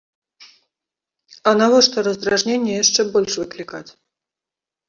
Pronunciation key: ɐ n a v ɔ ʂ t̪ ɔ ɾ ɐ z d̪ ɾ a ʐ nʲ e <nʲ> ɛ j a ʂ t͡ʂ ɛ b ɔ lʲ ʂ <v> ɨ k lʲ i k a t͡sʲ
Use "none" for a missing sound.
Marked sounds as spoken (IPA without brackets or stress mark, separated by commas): nʲː, v